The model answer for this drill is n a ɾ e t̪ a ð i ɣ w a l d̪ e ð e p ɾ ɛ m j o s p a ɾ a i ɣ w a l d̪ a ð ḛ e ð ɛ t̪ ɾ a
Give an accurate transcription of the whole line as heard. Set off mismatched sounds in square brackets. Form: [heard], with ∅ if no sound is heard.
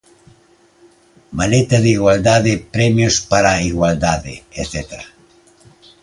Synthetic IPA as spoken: [m] a [l] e t̪ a ð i ɣ w a l d̪ [a] ð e p ɾ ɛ m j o s p a ɾ a i ɣ w a l d̪ a ð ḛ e [θ] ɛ t̪ ɾ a